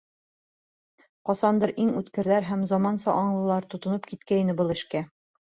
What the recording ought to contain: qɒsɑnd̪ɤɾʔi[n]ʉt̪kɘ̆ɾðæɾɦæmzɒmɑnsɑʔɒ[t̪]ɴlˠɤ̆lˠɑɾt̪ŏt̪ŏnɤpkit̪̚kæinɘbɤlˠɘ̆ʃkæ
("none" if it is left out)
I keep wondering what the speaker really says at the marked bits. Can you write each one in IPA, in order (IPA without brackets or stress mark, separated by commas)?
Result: ŋ, none